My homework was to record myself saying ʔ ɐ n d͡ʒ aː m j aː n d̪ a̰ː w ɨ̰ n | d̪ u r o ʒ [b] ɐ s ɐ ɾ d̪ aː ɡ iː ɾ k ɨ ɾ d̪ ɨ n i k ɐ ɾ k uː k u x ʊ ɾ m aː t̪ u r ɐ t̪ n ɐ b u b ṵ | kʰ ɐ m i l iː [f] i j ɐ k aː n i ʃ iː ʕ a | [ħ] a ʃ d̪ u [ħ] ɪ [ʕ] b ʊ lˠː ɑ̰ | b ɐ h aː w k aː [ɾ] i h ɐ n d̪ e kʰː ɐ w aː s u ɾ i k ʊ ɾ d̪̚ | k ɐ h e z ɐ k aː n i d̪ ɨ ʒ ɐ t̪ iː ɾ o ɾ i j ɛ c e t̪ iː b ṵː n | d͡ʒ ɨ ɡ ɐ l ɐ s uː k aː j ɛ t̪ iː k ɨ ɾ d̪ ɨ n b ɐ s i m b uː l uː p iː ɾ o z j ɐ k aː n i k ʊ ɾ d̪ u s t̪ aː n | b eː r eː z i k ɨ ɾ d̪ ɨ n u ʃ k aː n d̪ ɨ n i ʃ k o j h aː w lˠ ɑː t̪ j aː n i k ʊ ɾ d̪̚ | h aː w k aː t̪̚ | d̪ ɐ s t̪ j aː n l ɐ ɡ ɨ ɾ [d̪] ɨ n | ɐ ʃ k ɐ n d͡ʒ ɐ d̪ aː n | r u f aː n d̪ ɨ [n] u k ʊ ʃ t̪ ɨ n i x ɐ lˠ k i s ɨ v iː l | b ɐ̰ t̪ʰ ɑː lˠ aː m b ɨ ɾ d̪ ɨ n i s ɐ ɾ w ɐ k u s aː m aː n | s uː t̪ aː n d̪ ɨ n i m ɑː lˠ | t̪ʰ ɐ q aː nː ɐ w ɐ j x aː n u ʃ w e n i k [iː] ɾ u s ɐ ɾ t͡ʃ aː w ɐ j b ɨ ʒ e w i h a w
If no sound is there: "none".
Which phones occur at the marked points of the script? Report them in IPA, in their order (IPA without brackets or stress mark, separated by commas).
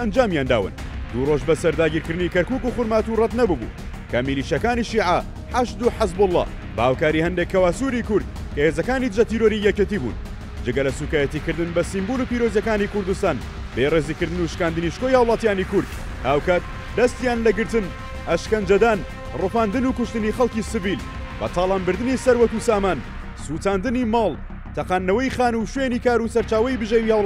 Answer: b, ʃ, ħ, ħ, z, ɾ, t̪, n, aː